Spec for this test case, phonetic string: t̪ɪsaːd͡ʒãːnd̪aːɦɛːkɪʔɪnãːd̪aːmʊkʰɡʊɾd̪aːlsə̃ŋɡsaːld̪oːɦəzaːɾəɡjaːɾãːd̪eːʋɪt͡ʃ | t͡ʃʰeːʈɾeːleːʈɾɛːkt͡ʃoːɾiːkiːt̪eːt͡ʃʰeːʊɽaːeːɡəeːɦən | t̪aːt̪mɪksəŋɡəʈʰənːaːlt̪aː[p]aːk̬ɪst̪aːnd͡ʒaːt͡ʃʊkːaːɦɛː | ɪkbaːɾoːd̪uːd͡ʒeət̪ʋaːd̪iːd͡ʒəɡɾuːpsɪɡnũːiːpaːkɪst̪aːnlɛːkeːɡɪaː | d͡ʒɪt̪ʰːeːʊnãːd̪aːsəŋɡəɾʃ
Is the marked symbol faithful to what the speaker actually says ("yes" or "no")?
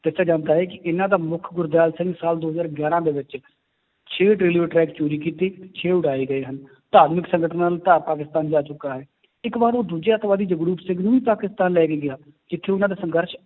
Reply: yes